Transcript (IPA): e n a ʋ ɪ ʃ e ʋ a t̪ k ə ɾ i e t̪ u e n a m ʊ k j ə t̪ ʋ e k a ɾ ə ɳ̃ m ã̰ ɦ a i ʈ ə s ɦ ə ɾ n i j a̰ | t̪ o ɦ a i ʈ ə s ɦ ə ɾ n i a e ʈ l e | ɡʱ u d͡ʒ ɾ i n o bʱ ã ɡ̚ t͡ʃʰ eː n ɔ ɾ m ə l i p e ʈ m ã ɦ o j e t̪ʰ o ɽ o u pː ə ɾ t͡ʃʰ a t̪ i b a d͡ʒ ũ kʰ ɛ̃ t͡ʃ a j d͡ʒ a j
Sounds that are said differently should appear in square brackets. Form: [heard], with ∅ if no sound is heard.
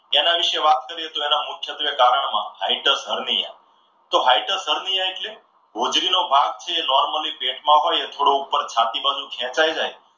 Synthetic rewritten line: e n a ʋ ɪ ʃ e ʋ a t̪ k ə ɾ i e t̪ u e n a m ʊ [kʰ] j ə t̪ ʋ e k a ɾ ə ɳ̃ m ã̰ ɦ a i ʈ ə s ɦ ə ɾ n i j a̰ | t̪ o ɦ a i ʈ ə s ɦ ə ɾ n i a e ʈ l e | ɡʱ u d͡ʒ ɾ i n o bʱ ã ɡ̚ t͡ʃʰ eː n ɔ ɾ m ə l i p e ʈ m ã ɦ o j e t̪ʰ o ɽ o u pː ə ɾ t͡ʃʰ a t̪ i b a d͡ʒ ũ kʰ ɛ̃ t͡ʃ a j d͡ʒ a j